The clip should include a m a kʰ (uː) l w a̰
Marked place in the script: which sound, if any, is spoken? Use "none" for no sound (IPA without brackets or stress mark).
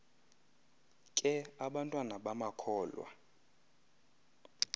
ɔː